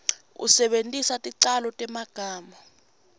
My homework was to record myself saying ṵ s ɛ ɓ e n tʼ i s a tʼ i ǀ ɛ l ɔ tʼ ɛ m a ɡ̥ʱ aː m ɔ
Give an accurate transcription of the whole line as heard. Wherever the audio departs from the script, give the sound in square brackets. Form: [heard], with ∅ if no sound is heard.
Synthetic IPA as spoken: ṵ s ɛ ɓ e n tʼ i s a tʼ i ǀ [a] l ɔ tʼ ɛ m a ɡ̥ʱ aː m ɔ